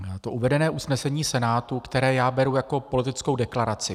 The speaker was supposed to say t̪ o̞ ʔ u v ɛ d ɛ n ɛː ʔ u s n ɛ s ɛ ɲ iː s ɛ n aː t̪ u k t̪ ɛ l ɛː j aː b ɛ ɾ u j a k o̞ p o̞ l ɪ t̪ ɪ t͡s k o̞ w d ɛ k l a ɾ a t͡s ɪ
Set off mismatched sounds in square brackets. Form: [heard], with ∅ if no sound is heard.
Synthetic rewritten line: t̪ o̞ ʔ u v ɛ d ɛ n ɛː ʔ u s n ɛ s ɛ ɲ iː s ɛ n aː t̪ u k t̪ ɛ [ɾ] ɛː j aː b ɛ ɾ u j a k o̞ p o̞ l ɪ t̪ ɪ t͡s k o̞ w d ɛ k l a ɾ a t͡s ɪ

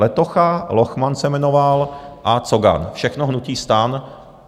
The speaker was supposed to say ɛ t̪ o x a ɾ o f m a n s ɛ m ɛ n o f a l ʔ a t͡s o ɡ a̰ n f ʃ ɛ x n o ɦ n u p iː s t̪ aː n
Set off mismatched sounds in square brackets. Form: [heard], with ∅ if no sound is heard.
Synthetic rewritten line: ɛ t̪ o x a [l] o [x] m a n s ɛ m ɛ n o [v] a l ʔ a t͡s o ɡ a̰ n f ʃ ɛ x n o ɦ n u [c] iː s t̪ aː n

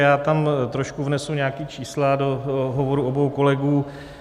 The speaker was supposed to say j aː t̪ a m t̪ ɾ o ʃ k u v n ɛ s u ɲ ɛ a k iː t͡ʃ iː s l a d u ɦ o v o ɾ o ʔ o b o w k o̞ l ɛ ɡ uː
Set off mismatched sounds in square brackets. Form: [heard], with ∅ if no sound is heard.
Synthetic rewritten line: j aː t̪ a m t̪ ɾ o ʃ k u v n ɛ s u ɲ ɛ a k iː t͡ʃ iː s l a d [o] ɦ o v o ɾ [u] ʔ o b o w k o̞ l ɛ ɡ uː

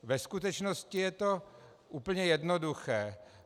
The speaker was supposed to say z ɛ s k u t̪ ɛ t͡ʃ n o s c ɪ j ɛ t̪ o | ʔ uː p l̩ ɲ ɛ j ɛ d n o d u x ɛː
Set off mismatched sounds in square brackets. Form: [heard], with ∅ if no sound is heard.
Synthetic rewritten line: [v] ɛ s k u t̪ ɛ t͡ʃ n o s c ɪ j ɛ t̪ o | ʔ uː p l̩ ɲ ɛ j ɛ d n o d u x ɛː

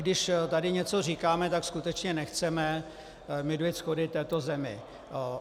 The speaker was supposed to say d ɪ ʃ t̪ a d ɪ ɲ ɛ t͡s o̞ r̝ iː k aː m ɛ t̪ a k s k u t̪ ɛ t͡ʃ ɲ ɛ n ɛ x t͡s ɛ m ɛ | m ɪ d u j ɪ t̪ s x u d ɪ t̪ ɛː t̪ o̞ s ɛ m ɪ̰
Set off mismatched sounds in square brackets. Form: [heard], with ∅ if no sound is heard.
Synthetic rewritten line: d ɪ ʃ t̪ a d ɪ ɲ ɛ t͡s o̞ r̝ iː k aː m ɛ t̪ a k s k u t̪ ɛ t͡ʃ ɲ ɛ n ɛ x t͡s ɛ m ɛ | m ɪ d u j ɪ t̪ s x [o] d ɪ t̪ ɛː t̪ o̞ [z] ɛ m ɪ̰

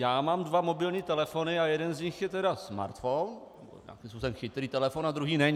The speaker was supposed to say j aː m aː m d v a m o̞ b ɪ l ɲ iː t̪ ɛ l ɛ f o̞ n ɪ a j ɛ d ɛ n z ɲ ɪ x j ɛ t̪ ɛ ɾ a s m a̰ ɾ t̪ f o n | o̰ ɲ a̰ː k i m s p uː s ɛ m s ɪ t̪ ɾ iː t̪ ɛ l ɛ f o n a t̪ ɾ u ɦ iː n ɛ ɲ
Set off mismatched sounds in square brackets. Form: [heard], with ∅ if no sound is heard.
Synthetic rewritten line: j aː m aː m d v a m o̞ b ɪ l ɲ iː t̪ ɛ l ɛ f o̞ n ɪ a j ɛ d ɛ n z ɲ ɪ x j ɛ t̪ ɛ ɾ a s m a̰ ɾ t̪ f o n | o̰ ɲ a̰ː k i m s p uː s ɛ m [x] ɪ t̪ ɾ iː t̪ ɛ l ɛ f o n a [d̪] ɾ u ɦ iː n ɛ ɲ

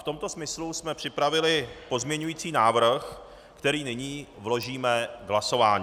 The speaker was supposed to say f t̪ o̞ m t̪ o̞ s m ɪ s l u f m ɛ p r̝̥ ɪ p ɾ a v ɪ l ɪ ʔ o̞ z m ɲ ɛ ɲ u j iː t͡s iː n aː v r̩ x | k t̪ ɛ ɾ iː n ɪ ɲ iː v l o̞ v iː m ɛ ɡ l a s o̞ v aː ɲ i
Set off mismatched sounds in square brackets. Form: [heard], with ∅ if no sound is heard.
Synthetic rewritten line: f t̪ o̞ m t̪ o̞ s m ɪ s l u [s] m ɛ p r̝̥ ɪ p ɾ a v ɪ l ɪ [p] o̞ z m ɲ ɛ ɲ u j iː t͡s iː n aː v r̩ x | k t̪ ɛ ɾ iː n ɪ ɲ iː v l o̞ [ʒ] iː m ɛ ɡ l a s o̞ v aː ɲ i

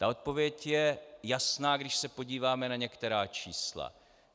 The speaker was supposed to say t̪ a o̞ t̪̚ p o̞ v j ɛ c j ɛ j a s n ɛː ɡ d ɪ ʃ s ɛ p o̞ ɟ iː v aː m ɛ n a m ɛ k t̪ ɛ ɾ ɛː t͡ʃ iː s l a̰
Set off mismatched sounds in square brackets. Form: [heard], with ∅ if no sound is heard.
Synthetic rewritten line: t̪ a o̞ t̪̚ p o̞ v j ɛ c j ɛ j a s n [aː] ɡ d ɪ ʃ s ɛ p o̞ ɟ iː v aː m ɛ n a [ɲ] ɛ k t̪ ɛ ɾ [aː] t͡ʃ iː s l a̰

